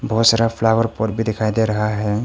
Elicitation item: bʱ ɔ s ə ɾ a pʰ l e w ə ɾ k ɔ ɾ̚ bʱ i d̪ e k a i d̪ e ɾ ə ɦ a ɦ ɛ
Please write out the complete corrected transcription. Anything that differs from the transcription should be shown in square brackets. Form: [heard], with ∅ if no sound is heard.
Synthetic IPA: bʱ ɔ s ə ɾ a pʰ l [a] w ə ɾ [p] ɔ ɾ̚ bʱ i d̪ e [kʰ] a [j] d̪ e ɾ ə ɦ a ɦ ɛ